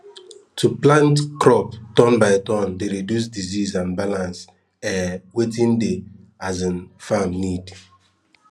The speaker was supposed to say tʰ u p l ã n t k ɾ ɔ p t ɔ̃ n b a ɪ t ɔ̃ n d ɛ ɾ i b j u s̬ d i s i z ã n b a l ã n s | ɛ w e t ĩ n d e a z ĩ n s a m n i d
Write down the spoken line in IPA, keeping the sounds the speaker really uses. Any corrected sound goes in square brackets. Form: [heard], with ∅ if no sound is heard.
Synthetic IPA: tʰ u p l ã n t k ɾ ɔ p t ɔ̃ n b a ɪ t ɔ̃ n d [e] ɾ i [d] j u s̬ d i [z] i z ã n b a l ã n s | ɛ w e t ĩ n d e a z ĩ n [f] a m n i d